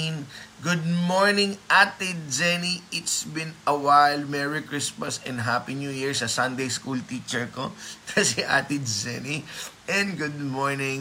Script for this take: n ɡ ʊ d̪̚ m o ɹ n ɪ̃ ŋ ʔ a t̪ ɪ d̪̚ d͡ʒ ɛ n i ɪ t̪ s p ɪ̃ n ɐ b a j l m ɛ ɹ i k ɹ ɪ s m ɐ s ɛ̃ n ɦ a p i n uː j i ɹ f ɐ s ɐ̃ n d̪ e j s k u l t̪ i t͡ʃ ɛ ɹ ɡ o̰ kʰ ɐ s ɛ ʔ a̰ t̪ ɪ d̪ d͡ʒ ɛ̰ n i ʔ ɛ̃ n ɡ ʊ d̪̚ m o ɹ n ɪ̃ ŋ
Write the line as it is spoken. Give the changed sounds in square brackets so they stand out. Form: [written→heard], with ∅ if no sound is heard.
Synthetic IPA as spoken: n ɡ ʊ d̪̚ m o ɹ n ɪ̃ ŋ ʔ a t̪ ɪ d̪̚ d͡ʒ ɛ n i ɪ t̪ s [p→b] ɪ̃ n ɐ [b→w] a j l m ɛ ɹ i k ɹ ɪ s m ɐ s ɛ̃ n ɦ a p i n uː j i ɹ [f→s] ɐ s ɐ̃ n d̪ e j s k u l t̪ i t͡ʃ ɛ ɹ [ɡ→k] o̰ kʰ ɐ s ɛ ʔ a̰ t̪ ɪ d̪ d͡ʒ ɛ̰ n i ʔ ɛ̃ n ɡ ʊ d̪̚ m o ɹ n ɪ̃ ŋ